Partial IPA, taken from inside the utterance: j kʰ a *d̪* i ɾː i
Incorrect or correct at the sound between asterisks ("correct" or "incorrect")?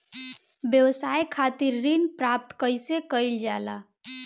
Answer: incorrect